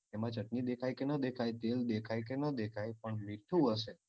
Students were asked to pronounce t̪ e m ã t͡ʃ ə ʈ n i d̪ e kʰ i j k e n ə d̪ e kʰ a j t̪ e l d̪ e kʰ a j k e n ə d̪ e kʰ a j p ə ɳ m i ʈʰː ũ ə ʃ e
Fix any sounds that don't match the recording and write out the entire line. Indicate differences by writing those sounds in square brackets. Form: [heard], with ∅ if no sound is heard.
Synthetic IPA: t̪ e m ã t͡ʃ ə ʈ n i d̪ e kʰ [a] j k e n ə d̪ e kʰ a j t̪ e l d̪ e kʰ a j k e n ə d̪ e kʰ a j p ə ɳ m i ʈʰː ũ ə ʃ e